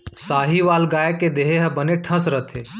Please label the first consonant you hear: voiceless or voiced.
voiceless